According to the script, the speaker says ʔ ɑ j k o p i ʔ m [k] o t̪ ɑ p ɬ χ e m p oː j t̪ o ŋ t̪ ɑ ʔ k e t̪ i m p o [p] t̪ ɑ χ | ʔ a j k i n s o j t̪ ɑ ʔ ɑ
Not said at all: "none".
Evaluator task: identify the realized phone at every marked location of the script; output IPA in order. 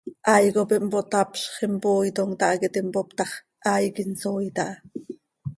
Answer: p, p

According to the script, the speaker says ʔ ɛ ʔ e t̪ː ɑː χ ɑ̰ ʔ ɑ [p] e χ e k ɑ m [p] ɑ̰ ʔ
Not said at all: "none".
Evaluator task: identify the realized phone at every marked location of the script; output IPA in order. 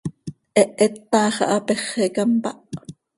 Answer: p, p

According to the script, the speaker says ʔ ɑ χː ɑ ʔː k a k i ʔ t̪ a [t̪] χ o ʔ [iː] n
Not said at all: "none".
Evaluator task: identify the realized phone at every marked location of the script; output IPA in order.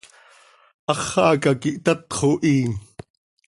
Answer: t̪, iː

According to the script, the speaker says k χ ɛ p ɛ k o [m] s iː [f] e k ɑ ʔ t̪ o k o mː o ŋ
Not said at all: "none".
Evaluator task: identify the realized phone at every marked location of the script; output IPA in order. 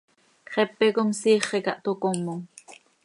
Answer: m, χ

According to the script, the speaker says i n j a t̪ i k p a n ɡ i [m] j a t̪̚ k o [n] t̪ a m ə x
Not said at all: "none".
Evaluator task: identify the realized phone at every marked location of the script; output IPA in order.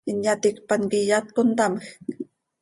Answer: none, n

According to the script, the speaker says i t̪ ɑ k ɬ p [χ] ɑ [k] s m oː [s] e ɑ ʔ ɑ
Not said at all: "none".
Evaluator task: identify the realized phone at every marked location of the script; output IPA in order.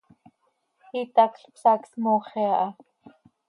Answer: s, k, χ

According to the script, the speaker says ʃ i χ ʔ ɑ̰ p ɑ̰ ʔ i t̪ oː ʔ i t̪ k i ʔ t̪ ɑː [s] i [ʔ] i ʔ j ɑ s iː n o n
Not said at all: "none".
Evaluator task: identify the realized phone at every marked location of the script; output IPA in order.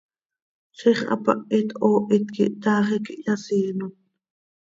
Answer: χ, k

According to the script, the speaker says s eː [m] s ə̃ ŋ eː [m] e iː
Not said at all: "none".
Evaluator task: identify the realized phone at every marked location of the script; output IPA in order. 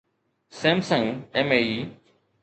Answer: m, m

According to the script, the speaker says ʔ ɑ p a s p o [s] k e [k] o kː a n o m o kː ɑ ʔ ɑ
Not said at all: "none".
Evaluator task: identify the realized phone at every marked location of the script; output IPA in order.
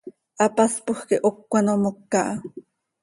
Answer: x, ʔ

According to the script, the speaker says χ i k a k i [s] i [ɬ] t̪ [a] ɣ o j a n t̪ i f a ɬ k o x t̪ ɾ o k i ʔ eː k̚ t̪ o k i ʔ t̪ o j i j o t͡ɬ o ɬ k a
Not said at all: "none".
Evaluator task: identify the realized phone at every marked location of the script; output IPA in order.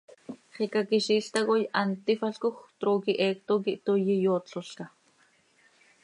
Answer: ʃ, ɬ, a

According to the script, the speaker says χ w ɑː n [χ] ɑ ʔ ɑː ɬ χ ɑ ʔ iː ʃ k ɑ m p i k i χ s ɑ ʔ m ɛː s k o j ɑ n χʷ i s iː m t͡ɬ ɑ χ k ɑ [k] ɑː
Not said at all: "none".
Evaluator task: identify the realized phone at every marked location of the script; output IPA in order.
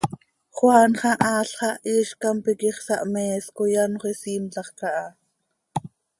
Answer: χ, ʔ

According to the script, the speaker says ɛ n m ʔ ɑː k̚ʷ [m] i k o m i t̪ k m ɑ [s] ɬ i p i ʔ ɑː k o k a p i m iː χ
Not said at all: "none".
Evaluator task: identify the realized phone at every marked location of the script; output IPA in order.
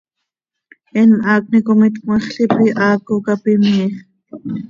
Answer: n, χ

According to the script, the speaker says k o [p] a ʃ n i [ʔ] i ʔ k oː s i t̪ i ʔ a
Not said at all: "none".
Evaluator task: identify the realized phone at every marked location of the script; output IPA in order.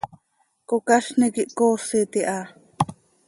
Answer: k, k

